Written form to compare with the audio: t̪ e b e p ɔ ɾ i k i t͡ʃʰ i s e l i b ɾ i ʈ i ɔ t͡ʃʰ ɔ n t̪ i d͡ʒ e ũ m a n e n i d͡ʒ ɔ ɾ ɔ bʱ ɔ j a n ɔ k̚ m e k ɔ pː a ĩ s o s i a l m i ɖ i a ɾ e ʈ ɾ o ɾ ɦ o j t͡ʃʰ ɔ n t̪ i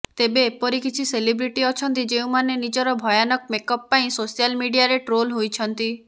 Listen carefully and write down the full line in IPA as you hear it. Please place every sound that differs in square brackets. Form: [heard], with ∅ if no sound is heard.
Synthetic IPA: t̪ e b e p ɔ ɾ i k i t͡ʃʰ i s e l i b ɾ i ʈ i ɔ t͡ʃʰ ɔ n t̪ i d͡ʒ e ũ m a n e n i d͡ʒ ɔ ɾ ɔ bʱ ɔ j a n ɔ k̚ m e k ɔ pː a ĩ s o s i a l m i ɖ i a ɾ e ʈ ɾ o [l] ɦ o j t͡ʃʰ ɔ n t̪ i

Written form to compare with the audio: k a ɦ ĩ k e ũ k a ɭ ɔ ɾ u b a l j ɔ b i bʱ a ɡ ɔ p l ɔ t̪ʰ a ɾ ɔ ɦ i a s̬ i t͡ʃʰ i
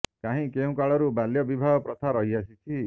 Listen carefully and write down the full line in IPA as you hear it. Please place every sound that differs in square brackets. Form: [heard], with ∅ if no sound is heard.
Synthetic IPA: k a ɦ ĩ k e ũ k a ɭ ɔ ɾ u b a l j ɔ b i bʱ a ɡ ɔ p [ɾ] ɔ t̪ʰ a ɾ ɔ ɦ i a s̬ i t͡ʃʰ i

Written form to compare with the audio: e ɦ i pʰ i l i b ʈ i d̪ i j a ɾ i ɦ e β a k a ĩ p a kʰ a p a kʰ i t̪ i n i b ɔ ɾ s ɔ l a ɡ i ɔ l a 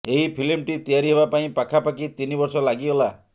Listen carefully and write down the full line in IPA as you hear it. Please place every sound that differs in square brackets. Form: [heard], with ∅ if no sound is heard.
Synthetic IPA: e ɦ i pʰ i l i [m] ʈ i [t̪] i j a ɾ i ɦ e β a [p] a ĩ p a kʰ a p a [k] i t̪ i n i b ɔ ɾ s ɔ l a ɡ i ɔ l a

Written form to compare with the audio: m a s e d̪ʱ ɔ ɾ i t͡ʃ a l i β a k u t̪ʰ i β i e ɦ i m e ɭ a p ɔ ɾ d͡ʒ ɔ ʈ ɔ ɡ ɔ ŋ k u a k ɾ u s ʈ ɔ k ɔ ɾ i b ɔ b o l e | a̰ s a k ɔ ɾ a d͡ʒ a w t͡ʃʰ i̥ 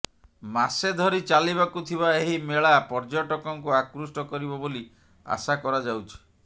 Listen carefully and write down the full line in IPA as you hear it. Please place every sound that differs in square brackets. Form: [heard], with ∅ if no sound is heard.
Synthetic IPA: m a s e d̪ʱ ɔ ɾ i t͡ʃ a l i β a k u t̪ʰ i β [a] e ɦ i m e ɭ a p ɔ ɾ d͡ʒ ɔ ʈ ɔ [k] ɔ ŋ k u a k ɾ u s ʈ ɔ k ɔ ɾ i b ɔ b o l [i] | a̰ s a k ɔ ɾ a d͡ʒ a w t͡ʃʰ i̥

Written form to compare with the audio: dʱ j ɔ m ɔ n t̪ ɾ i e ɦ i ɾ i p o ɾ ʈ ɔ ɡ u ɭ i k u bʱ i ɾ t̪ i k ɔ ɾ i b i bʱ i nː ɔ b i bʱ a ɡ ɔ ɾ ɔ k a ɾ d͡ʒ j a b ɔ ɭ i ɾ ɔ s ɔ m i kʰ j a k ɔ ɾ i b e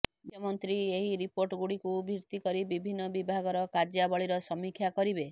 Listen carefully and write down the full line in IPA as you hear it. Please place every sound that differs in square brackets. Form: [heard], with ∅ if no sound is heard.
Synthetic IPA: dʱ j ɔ m ɔ n t̪ ɾ i e ɦ i ɾ i p o ɾ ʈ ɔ ɡ u [ɽ] i k u bʱ i ɾ t̪ i k ɔ ɾ i b i bʱ i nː ɔ b i bʱ a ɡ ɔ ɾ ɔ k a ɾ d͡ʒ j a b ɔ ɭ i ɾ ɔ s ɔ m i kʰ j a k ɔ ɾ i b e

